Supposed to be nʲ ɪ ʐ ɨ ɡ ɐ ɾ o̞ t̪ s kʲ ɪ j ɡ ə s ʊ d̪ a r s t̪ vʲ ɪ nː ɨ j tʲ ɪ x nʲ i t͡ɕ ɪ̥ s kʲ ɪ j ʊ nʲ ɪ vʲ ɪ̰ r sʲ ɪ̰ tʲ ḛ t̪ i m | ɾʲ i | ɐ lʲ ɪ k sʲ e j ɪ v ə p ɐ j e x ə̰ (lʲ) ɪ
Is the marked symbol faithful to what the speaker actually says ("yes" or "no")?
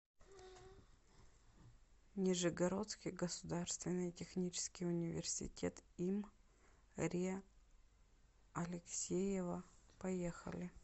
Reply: yes